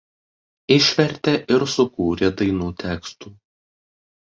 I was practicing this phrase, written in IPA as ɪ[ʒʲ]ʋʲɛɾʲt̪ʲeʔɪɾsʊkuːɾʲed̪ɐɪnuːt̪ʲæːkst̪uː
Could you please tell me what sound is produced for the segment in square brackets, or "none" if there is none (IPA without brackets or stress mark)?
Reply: ʃʲ